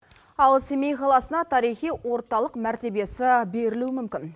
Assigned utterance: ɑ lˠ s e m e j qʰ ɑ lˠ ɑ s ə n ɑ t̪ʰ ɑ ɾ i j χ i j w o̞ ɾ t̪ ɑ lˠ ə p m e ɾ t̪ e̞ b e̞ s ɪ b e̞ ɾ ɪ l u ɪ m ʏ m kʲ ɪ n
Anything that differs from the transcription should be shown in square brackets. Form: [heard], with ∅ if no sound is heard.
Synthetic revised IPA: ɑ lˠ s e m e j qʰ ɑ lˠ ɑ s ə n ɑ t̪ʰ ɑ ɾ i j χ i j w o̞ ɾ t̪ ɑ lˠ ə [q] m [æ] ɾ t̪ e̞ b e̞ s ɪ b e̞ ɾ ɪ l u ɪ m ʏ m kʲ ɪ n